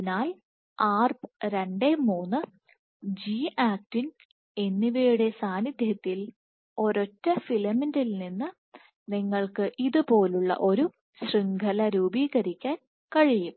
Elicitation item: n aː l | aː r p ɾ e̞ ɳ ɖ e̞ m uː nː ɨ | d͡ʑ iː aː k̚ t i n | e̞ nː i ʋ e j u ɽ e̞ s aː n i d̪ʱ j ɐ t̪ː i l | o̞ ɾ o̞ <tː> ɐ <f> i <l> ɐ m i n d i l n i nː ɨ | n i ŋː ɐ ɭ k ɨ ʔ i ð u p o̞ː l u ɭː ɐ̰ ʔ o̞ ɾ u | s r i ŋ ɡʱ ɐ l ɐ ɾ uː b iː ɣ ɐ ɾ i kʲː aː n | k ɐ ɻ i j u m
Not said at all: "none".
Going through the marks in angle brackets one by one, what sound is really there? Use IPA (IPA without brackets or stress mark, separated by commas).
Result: tː, f, l